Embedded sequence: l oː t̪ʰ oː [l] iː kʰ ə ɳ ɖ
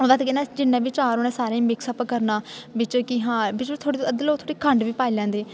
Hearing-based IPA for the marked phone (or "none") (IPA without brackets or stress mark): ɽ